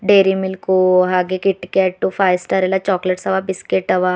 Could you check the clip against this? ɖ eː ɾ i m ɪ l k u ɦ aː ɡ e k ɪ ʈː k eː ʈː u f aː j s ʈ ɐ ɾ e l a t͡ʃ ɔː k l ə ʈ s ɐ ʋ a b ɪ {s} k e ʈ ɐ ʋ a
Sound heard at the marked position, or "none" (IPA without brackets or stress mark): s